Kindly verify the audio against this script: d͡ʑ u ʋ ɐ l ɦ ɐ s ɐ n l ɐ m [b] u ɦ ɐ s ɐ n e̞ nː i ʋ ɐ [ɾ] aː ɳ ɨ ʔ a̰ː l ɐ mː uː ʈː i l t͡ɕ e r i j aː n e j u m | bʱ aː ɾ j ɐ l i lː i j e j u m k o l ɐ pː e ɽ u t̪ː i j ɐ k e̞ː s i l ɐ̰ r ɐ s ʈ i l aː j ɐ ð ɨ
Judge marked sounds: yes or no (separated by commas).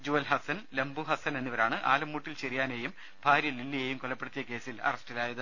yes, yes